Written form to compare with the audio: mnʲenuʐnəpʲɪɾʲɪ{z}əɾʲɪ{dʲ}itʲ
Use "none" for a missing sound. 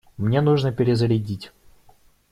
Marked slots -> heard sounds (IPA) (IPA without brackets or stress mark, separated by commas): z, dʲ